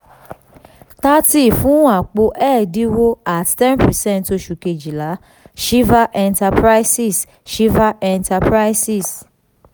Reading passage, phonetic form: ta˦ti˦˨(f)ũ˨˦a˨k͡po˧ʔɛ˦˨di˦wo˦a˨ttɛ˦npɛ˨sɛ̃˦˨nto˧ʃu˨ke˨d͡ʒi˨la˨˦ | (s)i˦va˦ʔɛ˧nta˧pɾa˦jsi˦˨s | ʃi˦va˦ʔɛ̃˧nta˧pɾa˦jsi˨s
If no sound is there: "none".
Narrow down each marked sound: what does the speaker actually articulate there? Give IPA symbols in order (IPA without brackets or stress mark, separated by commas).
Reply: f, ʃ